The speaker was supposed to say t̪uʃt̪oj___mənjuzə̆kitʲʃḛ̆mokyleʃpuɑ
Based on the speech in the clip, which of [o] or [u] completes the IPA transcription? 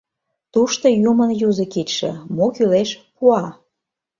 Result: u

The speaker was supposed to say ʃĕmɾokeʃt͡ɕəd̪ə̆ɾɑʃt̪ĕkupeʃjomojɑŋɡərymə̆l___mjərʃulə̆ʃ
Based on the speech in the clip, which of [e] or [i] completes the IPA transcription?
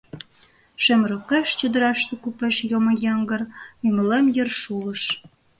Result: e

